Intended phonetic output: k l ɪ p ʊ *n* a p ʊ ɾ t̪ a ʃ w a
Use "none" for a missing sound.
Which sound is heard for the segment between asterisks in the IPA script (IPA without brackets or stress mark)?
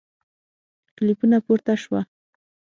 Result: n